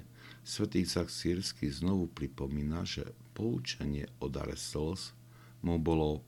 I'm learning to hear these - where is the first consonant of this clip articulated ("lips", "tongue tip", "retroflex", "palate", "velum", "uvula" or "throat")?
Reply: tongue tip